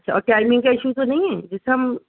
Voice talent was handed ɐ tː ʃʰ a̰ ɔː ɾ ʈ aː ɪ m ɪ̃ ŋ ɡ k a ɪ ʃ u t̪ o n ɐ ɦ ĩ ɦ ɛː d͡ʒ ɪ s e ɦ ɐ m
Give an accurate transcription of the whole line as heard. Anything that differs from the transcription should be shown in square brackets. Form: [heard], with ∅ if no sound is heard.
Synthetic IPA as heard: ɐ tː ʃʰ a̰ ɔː ɾ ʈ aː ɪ m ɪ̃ ŋ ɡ k a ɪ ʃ u t̪ o n ɐ ɦ ĩ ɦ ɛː d͡ʒ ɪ s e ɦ ɐ m